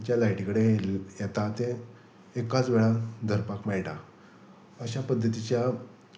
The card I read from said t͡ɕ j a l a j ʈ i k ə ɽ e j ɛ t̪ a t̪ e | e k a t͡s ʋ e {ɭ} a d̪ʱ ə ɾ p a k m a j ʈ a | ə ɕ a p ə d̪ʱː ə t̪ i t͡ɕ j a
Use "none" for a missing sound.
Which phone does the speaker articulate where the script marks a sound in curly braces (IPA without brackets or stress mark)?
ɭ